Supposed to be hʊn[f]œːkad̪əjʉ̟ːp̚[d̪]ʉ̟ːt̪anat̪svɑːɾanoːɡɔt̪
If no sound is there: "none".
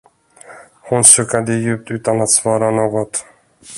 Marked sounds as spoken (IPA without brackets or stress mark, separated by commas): s, t̪